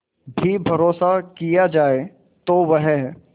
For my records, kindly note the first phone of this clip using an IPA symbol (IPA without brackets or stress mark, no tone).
bʱ